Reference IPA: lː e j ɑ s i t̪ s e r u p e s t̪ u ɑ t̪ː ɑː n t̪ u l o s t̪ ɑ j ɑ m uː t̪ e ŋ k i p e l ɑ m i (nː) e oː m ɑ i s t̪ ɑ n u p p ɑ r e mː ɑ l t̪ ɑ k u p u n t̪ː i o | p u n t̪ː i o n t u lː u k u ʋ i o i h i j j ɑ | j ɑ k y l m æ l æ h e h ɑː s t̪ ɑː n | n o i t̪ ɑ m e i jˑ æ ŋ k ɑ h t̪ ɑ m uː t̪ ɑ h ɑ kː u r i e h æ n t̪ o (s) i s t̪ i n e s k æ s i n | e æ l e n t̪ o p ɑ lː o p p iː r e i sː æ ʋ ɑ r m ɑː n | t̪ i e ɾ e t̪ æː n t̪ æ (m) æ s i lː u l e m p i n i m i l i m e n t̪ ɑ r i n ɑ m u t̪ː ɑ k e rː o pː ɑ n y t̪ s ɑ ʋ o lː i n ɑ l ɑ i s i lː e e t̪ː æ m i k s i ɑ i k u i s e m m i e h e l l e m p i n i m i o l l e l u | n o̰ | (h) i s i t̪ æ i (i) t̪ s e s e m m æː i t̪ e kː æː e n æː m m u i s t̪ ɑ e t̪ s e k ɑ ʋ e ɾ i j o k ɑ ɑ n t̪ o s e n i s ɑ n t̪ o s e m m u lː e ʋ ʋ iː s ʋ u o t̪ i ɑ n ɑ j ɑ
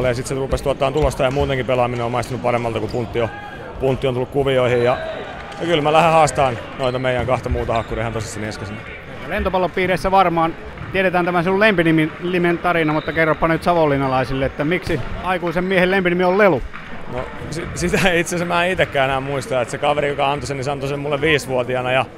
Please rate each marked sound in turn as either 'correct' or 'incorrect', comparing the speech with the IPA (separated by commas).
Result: incorrect, correct, correct, incorrect, correct